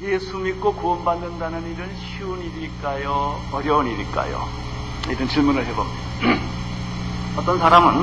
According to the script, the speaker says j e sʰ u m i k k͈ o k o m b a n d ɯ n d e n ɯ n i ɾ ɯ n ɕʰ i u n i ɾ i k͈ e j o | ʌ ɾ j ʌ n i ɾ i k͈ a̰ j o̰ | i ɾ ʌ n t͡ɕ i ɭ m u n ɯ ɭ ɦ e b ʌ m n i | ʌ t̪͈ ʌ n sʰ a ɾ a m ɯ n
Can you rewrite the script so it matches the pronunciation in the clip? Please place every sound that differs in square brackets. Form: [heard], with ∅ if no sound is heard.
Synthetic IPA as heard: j e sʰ u m i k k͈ o k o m b a n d ɯ n d [a] n ɯ n i ɾ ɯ n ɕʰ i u n i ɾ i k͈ [a] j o | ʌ ɾ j ʌ n i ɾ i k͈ a̰ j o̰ | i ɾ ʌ n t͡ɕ i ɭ m u n ɯ ɭ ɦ e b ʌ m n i | ʌ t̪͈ ʌ n sʰ a ɾ a m ɯ n